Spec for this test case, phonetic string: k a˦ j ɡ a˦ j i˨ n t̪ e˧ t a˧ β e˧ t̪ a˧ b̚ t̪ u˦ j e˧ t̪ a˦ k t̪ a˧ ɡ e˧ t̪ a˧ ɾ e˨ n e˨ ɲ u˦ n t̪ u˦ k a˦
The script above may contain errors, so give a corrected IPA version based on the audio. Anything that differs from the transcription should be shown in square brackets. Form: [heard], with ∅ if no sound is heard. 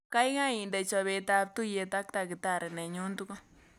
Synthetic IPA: k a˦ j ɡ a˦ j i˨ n [d̪] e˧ [t͡ʃ] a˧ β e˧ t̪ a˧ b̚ t̪ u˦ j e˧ t̪ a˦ k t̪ a˧ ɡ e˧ t̪ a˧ ɾ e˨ n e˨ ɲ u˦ n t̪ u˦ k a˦